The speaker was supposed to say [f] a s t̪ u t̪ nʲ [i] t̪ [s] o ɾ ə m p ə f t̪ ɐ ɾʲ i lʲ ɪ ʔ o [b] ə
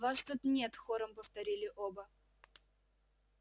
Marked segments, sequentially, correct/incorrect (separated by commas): incorrect, incorrect, incorrect, correct